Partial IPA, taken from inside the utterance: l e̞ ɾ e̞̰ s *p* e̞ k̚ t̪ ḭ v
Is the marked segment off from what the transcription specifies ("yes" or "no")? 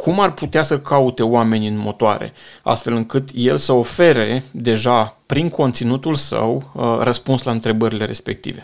no